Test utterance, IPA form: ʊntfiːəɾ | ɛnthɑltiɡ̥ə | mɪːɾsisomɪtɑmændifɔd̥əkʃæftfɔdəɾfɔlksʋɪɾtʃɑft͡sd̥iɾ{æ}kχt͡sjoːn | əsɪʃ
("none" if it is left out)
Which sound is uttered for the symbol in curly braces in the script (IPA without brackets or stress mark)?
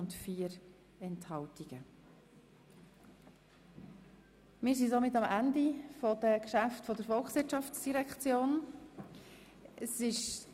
ɛ